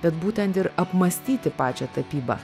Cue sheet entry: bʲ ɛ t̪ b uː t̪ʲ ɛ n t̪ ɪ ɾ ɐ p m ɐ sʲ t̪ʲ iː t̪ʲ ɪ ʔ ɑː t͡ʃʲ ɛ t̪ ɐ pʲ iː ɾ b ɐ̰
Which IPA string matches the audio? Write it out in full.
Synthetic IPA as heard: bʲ ɛ t̪ b uː t̪ʲ ɛ n t̪ ɪ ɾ ɐ p m ɐ sʲ t̪ʲ iː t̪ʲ ɪ p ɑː t͡ʃʲ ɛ t̪ ɐ pʲ iː b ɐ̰